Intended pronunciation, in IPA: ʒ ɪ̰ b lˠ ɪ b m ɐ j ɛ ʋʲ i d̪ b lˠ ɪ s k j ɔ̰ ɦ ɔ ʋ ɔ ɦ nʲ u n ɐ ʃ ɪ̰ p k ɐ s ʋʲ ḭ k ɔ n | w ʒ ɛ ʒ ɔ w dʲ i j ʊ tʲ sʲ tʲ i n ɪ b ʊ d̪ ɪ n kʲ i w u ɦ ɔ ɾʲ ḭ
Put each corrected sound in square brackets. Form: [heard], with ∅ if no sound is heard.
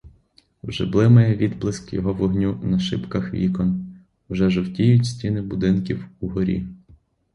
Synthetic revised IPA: ʒ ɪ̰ b lˠ ɪ [∅] m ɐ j ɛ ʋʲ i d̪ b lˠ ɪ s k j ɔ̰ ɦ ɔ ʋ ɔ ɦ nʲ u n ɐ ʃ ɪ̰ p k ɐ [x] ʋʲ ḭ k ɔ n | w ʒ ɛ ʒ ɔ w [tʲ] i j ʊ tʲ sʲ tʲ i n ɪ b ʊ d̪ ɪ n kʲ i w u ɦ ɔ ɾʲ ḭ